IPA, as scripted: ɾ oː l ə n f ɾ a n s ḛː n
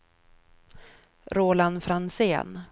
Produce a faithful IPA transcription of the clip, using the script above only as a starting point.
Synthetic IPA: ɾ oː l a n f ɾ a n s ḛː n